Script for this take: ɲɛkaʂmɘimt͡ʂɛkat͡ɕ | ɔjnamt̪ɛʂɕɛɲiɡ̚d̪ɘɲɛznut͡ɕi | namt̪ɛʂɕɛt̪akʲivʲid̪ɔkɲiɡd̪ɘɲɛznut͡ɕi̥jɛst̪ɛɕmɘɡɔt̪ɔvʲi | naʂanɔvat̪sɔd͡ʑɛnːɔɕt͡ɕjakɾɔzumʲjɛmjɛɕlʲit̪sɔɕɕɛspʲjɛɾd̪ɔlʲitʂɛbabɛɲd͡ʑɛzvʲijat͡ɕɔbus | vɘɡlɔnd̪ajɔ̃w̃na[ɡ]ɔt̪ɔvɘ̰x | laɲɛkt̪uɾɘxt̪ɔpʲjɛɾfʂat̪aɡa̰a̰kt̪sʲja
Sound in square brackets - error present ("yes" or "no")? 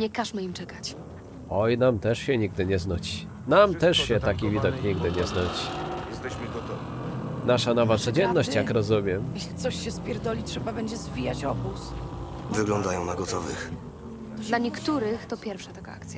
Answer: no